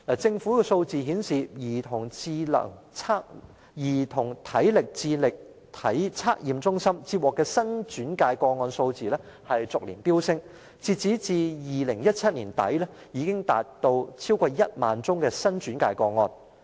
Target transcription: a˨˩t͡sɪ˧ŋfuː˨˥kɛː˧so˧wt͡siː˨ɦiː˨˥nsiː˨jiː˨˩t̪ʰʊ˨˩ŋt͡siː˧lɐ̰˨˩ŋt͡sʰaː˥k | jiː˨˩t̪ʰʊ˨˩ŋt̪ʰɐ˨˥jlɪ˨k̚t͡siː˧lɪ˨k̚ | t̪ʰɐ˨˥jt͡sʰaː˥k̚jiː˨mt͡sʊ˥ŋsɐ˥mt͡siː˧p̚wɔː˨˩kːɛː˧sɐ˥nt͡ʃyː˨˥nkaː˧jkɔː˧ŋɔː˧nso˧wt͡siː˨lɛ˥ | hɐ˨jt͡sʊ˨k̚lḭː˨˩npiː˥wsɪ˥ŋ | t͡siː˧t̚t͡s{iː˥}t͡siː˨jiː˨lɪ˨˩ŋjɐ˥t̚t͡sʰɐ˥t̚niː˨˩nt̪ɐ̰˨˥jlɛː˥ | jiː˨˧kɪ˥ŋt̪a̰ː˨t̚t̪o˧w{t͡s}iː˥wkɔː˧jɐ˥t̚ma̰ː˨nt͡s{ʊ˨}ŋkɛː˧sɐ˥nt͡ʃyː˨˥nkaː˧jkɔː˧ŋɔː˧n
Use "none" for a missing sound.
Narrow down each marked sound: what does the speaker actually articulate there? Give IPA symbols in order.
iː˨˥, t͡sʰ, ʊ˥

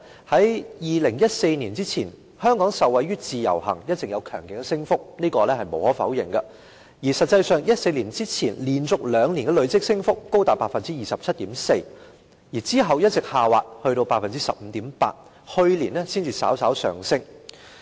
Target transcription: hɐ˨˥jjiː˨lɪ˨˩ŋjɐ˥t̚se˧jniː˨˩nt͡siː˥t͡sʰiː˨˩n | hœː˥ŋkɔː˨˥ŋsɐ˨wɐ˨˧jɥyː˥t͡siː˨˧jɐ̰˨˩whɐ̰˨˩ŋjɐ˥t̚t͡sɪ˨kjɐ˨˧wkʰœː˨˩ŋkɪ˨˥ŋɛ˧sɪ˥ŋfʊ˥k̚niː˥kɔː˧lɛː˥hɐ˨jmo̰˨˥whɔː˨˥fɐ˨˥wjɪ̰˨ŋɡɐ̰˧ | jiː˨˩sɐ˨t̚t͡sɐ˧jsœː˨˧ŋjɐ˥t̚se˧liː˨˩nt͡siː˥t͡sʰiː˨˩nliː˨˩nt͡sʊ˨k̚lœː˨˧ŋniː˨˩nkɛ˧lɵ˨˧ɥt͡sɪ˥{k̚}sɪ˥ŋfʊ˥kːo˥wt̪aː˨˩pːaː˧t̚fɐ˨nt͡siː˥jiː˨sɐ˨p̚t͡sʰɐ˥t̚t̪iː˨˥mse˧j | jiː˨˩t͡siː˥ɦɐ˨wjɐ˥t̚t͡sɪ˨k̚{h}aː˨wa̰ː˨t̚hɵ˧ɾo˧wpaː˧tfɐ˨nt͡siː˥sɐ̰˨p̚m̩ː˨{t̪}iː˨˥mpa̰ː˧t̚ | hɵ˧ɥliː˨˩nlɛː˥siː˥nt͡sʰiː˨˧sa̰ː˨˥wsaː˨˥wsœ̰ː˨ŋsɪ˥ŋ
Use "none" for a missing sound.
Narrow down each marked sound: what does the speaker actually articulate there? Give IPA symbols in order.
k̚, h, t̪

